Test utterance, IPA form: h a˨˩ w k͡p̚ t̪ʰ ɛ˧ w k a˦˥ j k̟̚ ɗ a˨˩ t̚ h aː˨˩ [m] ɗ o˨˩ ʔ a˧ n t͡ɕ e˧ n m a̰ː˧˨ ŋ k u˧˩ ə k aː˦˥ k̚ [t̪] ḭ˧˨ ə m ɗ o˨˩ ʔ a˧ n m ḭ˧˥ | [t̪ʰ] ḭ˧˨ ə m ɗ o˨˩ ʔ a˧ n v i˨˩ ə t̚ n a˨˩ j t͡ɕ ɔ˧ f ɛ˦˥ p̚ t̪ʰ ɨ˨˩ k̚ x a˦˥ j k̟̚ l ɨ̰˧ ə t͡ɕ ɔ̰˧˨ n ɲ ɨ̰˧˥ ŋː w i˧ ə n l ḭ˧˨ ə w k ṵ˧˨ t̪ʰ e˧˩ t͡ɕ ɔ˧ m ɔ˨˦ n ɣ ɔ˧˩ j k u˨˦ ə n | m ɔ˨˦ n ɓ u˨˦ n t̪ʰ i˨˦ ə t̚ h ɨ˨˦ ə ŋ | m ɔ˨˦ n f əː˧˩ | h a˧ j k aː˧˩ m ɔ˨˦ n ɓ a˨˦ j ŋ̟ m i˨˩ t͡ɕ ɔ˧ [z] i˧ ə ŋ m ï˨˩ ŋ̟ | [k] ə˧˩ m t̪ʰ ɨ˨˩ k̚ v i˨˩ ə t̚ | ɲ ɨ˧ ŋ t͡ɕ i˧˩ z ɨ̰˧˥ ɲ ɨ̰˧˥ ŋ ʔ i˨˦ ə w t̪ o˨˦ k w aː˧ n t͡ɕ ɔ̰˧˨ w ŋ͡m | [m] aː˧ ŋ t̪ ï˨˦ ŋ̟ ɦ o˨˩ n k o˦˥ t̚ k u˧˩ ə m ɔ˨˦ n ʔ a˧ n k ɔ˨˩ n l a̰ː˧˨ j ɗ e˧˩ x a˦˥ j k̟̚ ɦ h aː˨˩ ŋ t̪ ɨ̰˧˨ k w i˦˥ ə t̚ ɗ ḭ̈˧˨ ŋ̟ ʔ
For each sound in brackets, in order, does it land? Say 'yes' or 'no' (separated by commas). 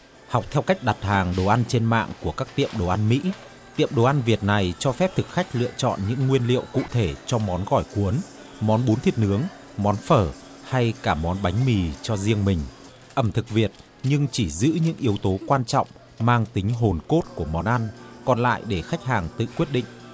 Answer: no, yes, no, yes, no, yes